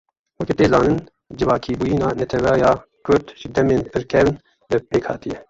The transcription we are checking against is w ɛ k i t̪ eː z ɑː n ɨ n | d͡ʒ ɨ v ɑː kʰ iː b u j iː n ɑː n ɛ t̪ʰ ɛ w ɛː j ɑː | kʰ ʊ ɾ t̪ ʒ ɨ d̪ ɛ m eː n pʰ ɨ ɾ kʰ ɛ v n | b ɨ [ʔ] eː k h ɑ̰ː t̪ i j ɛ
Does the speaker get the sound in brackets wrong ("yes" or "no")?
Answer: yes